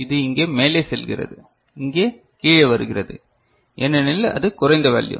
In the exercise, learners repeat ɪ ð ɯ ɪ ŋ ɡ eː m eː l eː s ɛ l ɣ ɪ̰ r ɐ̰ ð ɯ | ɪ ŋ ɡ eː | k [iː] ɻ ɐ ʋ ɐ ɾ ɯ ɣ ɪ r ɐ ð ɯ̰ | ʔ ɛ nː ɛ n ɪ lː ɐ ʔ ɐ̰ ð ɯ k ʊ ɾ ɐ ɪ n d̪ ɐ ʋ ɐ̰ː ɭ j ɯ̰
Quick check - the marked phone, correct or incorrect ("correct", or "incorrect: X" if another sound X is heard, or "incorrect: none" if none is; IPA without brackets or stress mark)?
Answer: correct